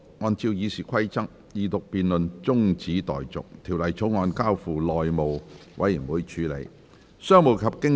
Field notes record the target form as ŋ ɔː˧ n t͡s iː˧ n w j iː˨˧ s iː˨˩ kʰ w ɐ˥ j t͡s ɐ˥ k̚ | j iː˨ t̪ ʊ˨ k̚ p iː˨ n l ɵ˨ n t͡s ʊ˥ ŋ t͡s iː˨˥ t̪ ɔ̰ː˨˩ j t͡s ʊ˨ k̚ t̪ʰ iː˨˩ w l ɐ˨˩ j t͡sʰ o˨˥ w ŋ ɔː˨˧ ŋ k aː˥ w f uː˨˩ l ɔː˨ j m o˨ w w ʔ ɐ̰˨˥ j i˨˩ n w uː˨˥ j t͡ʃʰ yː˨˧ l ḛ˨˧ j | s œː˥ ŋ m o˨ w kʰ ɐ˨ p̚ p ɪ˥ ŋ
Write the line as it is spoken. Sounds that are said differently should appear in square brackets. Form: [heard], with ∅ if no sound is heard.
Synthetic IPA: ŋ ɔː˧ n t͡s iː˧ [∅] w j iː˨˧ s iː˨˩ kʰ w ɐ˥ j t͡s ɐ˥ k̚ | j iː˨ t̪ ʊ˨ k̚ p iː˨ n l ɵ˨ n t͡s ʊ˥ ŋ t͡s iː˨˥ t̪ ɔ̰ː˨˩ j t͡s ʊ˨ k̚ t̪ʰ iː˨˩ w l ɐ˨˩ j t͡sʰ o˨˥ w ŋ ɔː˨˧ [n] k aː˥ w f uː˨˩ l ɔː˨ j m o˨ w w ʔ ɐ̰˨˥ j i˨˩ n w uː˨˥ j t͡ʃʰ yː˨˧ l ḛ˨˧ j | s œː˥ ŋ m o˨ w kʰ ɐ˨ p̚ [k] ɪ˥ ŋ